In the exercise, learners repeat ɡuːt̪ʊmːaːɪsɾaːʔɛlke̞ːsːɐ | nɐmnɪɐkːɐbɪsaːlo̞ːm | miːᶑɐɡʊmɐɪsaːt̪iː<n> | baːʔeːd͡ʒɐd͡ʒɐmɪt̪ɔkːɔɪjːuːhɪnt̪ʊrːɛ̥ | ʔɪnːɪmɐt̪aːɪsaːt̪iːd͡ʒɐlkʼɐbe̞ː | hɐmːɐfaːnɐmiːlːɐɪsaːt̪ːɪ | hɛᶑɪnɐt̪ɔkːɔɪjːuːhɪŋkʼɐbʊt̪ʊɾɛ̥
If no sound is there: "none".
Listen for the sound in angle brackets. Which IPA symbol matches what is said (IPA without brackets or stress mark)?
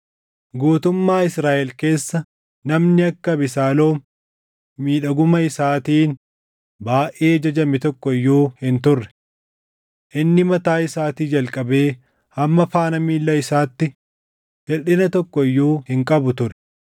n